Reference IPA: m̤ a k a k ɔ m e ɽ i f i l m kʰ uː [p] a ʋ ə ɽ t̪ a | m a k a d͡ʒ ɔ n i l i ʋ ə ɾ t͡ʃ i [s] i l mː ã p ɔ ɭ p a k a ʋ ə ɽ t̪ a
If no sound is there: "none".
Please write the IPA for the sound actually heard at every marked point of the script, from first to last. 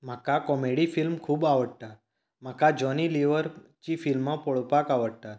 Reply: b, f

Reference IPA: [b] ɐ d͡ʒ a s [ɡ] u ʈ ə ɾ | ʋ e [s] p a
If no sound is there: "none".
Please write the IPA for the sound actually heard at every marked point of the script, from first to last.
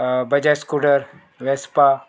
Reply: b, k, s

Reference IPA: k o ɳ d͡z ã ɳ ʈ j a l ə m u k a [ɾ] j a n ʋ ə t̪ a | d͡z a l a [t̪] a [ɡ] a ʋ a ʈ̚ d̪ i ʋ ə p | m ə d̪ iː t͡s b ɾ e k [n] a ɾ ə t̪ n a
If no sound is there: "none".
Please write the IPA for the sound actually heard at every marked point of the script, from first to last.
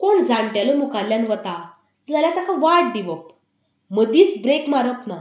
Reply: l, t̪, k, m

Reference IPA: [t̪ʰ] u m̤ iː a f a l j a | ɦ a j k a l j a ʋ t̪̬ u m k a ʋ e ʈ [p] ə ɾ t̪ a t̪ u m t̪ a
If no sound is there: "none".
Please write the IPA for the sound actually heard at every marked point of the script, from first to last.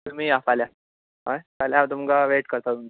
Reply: t̪, k

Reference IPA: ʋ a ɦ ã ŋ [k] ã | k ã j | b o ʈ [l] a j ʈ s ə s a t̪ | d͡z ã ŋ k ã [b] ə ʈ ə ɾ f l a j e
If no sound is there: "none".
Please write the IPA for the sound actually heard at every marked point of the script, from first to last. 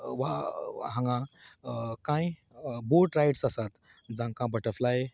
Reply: ɡ, ɾ, b

